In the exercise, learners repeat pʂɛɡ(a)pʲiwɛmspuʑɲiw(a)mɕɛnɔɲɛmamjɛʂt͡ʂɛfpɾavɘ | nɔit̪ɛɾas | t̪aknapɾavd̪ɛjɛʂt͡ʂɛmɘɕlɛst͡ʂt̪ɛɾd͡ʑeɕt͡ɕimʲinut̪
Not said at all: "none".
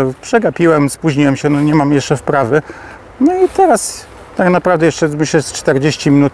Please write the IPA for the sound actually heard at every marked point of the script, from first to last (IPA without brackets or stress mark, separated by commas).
a, ɛ